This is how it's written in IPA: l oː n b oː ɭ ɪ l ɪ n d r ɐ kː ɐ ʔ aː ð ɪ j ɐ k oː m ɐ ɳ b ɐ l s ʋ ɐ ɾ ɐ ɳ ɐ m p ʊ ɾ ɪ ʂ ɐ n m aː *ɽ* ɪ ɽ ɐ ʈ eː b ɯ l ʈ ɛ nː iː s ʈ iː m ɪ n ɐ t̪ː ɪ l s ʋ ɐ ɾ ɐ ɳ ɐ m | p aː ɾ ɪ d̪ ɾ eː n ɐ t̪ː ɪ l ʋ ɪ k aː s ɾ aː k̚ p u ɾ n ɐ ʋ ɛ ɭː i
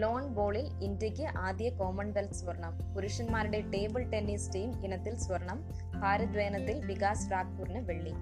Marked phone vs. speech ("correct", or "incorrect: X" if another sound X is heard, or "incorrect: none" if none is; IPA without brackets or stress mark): incorrect: ɾ